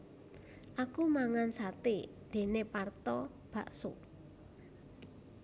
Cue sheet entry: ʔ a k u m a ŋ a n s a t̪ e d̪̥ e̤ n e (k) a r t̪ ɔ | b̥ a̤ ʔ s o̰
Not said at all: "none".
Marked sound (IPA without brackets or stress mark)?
p